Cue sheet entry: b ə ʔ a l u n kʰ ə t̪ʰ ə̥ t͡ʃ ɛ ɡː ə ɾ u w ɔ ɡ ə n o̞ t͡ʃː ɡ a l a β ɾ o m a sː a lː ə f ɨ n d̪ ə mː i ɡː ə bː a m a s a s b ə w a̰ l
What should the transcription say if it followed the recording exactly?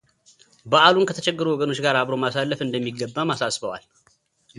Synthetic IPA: b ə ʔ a l u n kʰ ə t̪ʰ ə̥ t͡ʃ ɛ ɡː ə ɾ u w ɔ ɡ ə n o̞ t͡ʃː ɡ a ɾ a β ɾ o m a s a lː ə f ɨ n d̪ ə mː i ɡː ə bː a m a s a s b ə w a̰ l